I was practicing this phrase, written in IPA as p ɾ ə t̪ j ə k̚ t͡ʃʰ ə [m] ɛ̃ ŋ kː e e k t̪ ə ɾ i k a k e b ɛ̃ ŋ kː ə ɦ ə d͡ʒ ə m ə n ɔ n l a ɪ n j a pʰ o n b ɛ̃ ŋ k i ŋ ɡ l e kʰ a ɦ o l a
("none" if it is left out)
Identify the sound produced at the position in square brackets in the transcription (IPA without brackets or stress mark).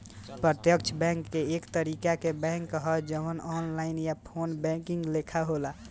b